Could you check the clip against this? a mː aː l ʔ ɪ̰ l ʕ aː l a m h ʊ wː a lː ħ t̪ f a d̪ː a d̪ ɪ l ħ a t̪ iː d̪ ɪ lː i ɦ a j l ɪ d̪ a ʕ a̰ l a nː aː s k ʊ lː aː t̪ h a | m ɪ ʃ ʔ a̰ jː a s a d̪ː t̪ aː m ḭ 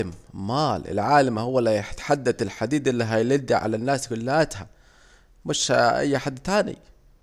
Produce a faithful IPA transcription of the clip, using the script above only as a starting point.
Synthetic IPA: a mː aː l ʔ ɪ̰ l ʕ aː l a m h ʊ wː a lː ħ t̪ ħ a d̪ː a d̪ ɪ l ħ a d̪ iː d̪ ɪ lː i ɦ a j l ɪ d̪ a ʕ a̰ l a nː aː s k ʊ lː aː t̪ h a | m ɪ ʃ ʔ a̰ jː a ħ a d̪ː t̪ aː n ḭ